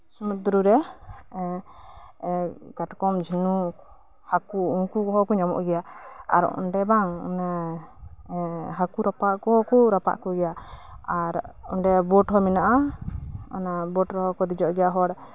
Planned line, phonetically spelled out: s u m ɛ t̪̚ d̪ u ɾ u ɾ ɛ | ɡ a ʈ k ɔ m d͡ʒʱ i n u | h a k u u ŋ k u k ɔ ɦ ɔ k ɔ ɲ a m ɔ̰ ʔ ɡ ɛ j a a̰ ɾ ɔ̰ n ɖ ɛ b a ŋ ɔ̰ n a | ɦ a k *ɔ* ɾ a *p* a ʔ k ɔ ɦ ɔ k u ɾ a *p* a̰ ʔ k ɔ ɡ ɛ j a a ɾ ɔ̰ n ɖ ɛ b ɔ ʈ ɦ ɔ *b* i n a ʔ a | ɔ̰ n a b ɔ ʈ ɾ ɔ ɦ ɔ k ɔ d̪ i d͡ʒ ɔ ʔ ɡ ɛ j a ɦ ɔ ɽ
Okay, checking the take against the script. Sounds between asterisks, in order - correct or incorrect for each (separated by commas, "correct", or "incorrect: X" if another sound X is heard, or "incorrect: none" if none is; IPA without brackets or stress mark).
incorrect: u, correct, correct, incorrect: m